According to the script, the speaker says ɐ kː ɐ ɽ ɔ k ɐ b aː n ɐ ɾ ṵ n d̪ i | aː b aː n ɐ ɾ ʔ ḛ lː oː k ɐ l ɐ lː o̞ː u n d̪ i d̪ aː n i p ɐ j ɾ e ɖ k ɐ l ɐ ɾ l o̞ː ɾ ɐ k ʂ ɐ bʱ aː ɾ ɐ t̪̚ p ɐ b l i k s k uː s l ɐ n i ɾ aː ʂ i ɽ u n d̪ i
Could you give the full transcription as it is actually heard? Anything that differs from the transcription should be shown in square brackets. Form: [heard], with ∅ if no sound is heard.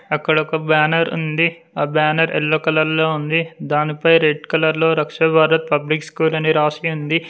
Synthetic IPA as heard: ɐ kː ɐ ɽ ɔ k ɐ b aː n ɐ ɾ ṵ n d̪ i | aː b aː n ɐ ɾ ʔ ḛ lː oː k ɐ l ɐ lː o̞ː u n d̪ i d̪ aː n i p ɐ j ɾ e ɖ k ɐ l ɐ ɾ l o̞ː ɾ ɐ k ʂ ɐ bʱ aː ɾ ɐ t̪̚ p ɐ b l i k s k uː [∅] l ɐ n i ɾ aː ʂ i [∅] u n d̪ i